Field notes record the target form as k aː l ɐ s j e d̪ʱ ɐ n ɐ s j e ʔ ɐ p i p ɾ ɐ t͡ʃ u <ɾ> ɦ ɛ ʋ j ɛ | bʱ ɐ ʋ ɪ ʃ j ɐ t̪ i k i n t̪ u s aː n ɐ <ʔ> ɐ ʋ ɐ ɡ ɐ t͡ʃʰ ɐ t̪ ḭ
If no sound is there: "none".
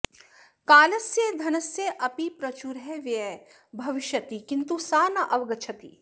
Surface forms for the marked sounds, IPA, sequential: ɾ, ʔ

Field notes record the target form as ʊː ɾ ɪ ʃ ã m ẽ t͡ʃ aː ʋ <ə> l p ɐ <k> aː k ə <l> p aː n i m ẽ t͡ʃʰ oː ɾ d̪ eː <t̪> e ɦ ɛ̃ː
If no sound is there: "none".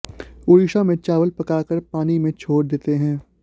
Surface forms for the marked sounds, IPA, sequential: ə, k, ɾ, t̪

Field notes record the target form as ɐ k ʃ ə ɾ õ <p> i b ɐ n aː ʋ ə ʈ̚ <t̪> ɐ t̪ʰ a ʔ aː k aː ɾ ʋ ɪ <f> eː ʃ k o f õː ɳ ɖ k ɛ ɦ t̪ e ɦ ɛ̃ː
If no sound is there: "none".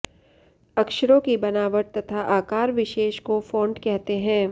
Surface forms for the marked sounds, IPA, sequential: k, t̪, ʃ

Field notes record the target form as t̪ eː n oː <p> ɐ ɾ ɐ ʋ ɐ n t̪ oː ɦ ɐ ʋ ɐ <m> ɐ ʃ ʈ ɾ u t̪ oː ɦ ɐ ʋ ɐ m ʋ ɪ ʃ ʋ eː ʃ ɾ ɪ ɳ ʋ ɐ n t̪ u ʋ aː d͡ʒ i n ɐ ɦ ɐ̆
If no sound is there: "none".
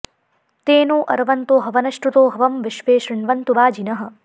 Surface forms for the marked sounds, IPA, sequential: ʔ, n

